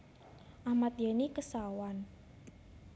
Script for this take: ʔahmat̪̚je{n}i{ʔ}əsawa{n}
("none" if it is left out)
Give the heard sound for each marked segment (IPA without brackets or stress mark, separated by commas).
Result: n, k, n